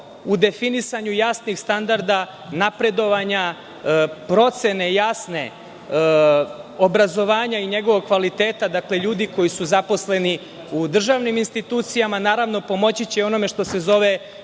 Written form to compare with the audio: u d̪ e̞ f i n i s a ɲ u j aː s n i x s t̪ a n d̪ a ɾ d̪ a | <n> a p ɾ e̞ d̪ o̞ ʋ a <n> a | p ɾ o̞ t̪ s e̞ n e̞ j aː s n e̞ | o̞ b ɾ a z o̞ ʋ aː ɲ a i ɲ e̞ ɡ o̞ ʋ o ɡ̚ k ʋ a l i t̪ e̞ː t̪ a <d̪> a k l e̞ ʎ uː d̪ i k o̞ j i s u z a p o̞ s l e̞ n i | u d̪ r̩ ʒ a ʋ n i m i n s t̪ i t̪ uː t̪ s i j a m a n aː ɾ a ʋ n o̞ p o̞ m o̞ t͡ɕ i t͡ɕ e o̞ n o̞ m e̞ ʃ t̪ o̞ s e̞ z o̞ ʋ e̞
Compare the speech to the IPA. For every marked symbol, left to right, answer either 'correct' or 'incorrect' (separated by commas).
correct, incorrect, correct